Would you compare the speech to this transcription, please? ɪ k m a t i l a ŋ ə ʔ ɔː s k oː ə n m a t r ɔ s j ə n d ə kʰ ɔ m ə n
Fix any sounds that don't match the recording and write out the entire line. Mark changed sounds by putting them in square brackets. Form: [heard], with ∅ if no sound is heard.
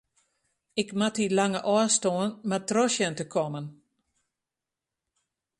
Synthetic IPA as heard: ɪ k m a t i l a ŋ ə ʔ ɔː s [t] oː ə n m a t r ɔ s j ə n [t] ə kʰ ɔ m ə n

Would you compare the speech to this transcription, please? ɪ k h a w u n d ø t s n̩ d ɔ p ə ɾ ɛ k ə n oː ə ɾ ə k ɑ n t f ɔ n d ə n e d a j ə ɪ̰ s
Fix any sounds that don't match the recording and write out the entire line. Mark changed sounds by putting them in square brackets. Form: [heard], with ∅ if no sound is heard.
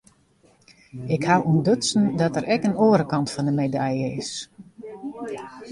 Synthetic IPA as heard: ɪ k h a w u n d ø t s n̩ d ɔ [t] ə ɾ ɛ k ə n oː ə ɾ ə k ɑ n t f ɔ n d ə [m] e d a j ə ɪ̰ s

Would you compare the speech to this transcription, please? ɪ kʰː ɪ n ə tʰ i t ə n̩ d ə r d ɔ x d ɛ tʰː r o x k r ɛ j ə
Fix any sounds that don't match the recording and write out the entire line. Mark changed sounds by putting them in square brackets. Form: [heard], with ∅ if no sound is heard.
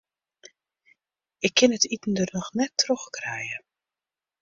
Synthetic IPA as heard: ɪ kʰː ɪ n ə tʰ i t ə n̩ d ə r [n] ɔ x [n] ɛ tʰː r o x k r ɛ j ə

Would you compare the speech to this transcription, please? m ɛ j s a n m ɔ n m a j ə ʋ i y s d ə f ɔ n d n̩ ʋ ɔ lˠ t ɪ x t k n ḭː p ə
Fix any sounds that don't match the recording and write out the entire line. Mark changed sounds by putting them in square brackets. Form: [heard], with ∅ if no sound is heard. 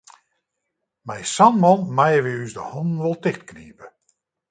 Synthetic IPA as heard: m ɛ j s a n m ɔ n m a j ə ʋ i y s d ə [h] ɔ n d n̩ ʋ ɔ lˠ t ɪ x t k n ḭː p ə

